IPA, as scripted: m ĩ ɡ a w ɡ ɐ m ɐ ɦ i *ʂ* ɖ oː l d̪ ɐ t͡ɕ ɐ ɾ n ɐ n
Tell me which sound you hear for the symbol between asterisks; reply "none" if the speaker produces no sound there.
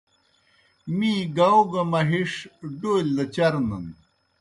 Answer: ʂ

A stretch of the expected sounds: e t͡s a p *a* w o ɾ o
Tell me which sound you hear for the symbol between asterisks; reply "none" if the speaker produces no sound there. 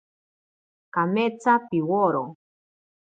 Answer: i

